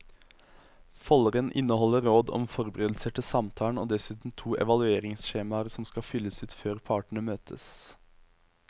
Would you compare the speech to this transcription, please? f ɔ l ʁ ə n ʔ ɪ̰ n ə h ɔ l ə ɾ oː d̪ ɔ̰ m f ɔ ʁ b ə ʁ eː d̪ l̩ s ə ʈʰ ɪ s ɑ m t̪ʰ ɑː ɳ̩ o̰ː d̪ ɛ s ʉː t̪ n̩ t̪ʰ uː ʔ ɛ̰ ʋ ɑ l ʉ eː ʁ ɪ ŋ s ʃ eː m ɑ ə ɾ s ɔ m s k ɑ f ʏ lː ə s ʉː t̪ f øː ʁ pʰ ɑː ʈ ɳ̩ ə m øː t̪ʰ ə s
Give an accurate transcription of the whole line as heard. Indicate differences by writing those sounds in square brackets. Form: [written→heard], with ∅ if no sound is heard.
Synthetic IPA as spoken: f ɔ l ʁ ə n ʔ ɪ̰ n ə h ɔ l ə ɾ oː d̪ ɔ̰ m f ɔ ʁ b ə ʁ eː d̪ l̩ s ə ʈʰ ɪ s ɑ m t̪ʰ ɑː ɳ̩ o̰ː d̪ ɛ s ʉː t̪ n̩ t̪ʰ uː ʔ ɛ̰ ʋ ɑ l ʉ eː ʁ ɪ ŋ s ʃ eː m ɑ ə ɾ s ɔ m s k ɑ f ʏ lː ə s ʉː t̪ f øː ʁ pʰ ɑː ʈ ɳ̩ ə m øː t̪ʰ ə s